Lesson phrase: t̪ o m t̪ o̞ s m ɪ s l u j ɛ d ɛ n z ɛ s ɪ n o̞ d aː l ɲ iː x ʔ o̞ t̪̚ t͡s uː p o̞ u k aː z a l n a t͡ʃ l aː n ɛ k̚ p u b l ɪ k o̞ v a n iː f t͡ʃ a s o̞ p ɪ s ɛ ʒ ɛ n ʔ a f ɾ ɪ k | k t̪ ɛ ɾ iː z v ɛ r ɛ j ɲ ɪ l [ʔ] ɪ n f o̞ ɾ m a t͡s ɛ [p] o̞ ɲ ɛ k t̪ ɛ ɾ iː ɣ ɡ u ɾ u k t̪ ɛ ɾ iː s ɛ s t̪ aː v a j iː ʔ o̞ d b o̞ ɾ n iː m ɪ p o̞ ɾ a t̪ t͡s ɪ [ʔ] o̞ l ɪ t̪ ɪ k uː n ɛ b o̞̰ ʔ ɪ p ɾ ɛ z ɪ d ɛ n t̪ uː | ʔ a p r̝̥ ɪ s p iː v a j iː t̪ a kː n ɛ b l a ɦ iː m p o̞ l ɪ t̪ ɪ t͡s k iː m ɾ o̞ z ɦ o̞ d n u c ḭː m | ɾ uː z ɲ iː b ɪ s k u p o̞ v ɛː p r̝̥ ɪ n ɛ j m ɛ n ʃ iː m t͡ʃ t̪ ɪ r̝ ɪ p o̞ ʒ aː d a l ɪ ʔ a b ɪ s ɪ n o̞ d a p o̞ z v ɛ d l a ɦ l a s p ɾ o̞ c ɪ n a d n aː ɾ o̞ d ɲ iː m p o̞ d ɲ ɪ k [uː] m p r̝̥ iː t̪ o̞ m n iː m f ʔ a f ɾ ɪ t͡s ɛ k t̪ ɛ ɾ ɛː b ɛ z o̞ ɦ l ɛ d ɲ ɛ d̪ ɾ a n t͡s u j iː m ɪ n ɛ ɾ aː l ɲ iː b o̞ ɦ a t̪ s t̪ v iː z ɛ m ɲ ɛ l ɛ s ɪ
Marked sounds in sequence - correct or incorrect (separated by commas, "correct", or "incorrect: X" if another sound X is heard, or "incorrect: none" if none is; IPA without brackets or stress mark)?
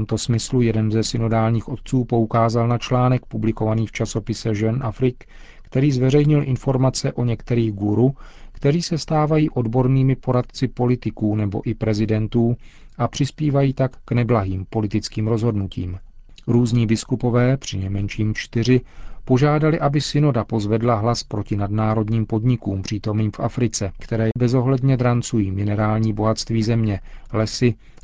correct, incorrect: ʔ, incorrect: p, correct